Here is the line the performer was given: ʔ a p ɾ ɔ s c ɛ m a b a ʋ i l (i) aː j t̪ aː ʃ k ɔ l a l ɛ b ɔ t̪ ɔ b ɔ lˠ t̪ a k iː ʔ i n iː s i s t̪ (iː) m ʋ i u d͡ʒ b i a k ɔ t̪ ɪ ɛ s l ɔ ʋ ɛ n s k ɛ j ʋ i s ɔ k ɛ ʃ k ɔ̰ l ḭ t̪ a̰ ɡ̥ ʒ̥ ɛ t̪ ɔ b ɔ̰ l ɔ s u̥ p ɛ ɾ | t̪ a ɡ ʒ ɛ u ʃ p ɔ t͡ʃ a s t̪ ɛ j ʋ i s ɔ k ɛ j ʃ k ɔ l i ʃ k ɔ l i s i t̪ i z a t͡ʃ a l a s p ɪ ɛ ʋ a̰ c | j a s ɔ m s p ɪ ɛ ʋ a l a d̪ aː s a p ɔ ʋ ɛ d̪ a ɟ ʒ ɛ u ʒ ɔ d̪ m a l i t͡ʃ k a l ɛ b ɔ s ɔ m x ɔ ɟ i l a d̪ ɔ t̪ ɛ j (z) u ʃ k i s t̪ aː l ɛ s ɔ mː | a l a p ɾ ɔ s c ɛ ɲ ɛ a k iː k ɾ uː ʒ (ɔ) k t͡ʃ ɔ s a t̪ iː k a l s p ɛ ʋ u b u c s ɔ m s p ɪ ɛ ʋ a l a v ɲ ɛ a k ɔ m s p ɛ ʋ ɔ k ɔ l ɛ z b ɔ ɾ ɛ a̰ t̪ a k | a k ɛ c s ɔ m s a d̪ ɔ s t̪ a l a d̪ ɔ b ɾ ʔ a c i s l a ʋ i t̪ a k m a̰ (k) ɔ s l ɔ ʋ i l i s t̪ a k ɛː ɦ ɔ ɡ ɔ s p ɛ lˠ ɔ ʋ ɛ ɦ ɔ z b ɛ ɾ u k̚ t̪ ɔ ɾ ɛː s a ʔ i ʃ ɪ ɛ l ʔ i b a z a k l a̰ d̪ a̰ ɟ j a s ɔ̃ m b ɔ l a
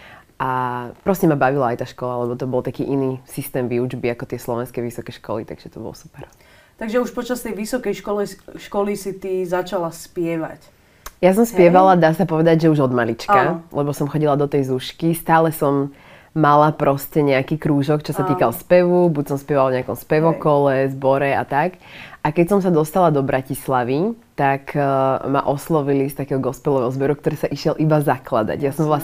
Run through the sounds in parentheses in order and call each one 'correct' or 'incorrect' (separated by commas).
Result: incorrect, incorrect, correct, correct, incorrect